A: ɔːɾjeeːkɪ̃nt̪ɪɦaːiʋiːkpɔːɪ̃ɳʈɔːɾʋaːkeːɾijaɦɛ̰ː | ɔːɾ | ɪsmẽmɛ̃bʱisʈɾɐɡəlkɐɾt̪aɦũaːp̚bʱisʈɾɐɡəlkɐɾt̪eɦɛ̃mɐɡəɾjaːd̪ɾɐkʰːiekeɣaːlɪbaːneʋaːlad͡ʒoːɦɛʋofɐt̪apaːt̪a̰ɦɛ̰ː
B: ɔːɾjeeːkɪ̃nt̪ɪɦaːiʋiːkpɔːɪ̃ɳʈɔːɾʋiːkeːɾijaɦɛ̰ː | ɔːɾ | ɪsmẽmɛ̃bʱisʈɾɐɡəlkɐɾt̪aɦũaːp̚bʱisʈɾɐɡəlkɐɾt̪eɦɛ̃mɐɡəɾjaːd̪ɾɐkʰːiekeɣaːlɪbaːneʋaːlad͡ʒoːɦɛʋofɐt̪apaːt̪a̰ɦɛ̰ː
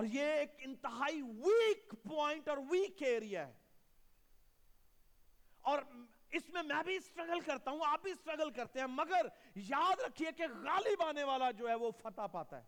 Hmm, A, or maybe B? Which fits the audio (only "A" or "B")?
B